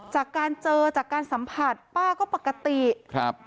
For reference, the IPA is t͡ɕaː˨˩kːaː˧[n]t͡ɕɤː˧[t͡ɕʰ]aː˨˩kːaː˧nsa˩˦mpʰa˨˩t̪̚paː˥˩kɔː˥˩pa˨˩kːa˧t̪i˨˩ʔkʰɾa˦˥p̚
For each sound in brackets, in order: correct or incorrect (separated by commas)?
correct, incorrect